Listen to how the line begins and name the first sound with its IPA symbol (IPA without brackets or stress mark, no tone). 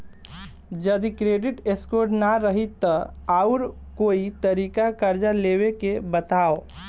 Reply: d͡ʒ